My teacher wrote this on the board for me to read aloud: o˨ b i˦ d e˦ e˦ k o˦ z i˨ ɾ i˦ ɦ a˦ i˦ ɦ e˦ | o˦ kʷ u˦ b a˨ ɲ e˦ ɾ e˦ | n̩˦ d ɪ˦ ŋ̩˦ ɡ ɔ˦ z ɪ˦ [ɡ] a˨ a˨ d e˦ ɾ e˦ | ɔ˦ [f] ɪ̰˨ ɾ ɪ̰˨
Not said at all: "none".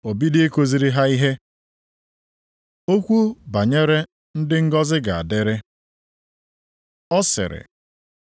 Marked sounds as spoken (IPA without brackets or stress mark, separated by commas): ɡ, s